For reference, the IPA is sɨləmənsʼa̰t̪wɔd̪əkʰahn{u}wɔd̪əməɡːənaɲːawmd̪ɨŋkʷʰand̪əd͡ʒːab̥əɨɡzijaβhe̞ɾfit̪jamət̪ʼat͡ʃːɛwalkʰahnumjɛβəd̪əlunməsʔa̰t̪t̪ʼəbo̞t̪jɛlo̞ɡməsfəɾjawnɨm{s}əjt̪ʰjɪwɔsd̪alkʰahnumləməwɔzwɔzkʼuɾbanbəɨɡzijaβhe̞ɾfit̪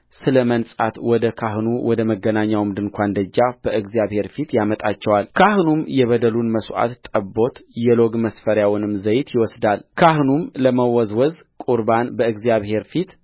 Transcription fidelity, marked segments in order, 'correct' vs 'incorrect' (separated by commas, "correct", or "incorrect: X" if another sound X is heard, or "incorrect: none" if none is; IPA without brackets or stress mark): correct, incorrect: z